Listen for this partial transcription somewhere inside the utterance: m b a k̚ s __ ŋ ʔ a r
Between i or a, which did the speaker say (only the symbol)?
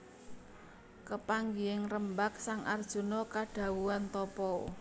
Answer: a